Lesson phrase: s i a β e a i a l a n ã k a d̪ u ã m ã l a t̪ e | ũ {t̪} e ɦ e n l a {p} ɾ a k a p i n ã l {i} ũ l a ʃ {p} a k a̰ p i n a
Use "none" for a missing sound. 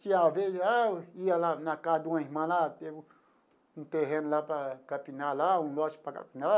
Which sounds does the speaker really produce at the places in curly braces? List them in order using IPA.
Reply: t̪, p, a, p

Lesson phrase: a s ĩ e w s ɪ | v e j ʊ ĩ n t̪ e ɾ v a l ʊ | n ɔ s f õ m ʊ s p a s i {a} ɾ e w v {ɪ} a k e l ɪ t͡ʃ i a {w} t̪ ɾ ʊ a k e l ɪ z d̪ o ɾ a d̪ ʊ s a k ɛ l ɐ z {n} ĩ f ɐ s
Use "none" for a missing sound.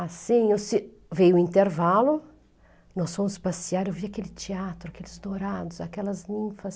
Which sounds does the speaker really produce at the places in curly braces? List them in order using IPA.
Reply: a, i, none, n

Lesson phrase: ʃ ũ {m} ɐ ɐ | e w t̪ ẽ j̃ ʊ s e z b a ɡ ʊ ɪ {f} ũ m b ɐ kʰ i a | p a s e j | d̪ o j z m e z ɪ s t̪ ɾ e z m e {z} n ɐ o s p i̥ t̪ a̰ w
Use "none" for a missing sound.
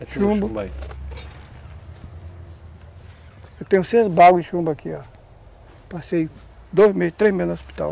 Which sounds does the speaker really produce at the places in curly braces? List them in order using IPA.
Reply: b, ʃ, z

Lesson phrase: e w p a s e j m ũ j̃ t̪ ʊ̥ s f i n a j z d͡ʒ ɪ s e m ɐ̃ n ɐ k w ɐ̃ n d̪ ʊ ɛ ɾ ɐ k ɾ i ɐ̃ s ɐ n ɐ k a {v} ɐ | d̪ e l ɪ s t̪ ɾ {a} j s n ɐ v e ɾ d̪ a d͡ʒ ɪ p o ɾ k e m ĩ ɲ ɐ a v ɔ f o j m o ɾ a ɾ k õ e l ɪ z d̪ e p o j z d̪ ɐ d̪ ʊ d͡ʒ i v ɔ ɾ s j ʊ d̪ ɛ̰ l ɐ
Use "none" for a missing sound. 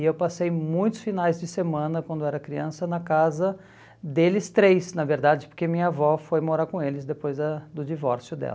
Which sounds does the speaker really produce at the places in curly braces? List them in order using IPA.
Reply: z, e

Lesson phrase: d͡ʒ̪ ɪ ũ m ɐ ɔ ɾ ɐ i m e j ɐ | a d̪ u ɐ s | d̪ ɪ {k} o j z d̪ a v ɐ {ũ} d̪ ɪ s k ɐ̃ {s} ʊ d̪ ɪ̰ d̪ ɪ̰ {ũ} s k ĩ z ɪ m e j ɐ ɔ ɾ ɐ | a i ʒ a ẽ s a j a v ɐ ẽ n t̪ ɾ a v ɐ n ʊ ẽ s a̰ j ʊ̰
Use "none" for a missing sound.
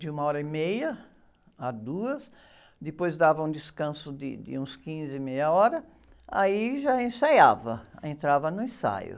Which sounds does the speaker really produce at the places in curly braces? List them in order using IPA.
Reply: p, ũ, s, ũ

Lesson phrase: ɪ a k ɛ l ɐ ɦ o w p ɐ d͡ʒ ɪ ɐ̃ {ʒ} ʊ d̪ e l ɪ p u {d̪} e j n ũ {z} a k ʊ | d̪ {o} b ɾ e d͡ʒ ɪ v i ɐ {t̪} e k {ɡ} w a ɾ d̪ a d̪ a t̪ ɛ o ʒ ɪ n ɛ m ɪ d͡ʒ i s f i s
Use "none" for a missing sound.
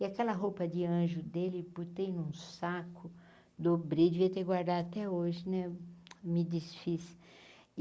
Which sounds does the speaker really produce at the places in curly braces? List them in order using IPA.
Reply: ʒ, t̪, s, o, t̪, ɡ

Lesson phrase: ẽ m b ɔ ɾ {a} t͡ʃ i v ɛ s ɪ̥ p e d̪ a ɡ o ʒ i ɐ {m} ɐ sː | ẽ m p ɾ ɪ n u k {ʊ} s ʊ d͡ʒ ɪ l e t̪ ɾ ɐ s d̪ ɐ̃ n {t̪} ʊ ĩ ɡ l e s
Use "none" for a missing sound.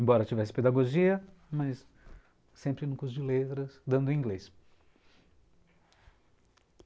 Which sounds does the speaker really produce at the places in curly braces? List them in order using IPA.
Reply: ɐ, m, u, d̪

